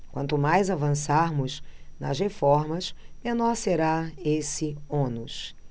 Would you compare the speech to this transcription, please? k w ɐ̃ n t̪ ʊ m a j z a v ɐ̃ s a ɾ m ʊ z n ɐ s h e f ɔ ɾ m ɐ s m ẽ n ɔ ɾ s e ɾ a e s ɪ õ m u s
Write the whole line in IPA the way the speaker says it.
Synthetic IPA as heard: k w ɐ̃ n t̪ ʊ m a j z a v ɐ̃ s a ɾ m ʊ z n ɐ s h e f ɔ ɾ m ɐ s m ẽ n ɔ ɾ s e ɾ a e s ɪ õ n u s